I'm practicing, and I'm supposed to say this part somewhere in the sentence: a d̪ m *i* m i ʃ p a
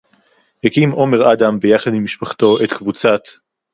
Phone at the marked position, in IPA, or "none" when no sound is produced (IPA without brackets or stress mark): i